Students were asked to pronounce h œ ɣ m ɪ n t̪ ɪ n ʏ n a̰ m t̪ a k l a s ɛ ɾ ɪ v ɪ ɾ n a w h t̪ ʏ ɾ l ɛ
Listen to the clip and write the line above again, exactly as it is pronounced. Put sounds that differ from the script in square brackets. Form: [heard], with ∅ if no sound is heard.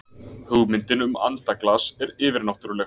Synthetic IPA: h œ ɣ m ɪ n t̪ ɪ n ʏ [m] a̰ [n] t̪ a k l a s ɛ ɾ [ɪː] v ɪ ɾ n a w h t̪ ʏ ɾ l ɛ